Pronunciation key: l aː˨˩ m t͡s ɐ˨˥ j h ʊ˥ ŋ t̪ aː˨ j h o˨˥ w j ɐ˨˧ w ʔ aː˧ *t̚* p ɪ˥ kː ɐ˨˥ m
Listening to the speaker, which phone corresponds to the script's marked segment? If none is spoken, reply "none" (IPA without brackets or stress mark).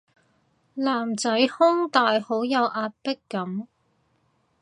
t̚